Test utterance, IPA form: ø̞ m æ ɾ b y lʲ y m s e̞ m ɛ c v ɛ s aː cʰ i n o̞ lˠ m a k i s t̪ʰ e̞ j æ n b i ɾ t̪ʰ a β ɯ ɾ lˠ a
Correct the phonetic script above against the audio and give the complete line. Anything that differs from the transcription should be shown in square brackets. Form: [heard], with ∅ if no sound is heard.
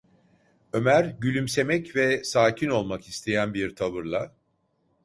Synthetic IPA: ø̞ m æ ɾ [ɟ] y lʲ y m s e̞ m ɛ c v ɛ s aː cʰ i n o̞ lˠ m a k i s t̪ʰ e̞ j æ n b i ɾ t̪ʰ a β ɯ ɾ lˠ a